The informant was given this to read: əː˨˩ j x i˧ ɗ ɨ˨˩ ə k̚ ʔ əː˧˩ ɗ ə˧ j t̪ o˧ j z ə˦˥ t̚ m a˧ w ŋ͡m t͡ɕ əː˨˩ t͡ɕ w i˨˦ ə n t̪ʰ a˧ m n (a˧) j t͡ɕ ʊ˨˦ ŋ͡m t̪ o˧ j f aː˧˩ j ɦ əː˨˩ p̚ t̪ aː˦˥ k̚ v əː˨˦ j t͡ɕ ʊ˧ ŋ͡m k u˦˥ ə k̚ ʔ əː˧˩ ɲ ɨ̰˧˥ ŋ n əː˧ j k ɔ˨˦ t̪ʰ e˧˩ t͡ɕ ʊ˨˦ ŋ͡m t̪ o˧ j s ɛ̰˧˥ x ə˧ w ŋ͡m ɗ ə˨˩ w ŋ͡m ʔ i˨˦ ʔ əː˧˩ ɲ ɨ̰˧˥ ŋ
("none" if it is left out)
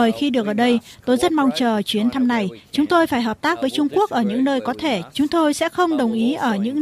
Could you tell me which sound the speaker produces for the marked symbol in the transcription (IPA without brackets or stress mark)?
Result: a˨˩